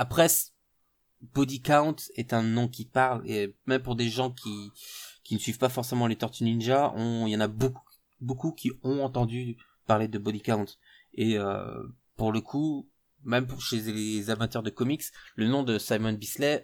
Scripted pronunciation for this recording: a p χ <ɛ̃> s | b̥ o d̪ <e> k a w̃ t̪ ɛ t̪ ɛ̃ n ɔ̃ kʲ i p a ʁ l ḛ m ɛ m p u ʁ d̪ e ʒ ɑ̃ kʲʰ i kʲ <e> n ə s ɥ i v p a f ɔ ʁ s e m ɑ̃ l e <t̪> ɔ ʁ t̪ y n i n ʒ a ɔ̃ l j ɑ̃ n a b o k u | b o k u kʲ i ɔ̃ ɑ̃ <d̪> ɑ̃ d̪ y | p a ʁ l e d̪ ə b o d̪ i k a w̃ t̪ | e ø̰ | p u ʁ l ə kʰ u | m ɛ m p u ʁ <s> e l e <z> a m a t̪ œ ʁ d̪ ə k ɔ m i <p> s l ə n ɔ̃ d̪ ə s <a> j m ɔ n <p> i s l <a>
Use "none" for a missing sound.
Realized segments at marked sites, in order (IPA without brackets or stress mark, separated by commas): ɛ, i, i, t̪, t̪, ʃ, z, k, a, b, ɛ